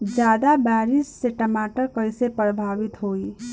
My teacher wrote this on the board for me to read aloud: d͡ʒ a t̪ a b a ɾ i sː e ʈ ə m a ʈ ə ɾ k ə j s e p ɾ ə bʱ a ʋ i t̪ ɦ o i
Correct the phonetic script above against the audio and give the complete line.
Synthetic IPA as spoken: d͡ʒ a d̪ a b a ɾ i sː e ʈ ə m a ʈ ə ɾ k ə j s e p ɾ ə bʱ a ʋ i t̪ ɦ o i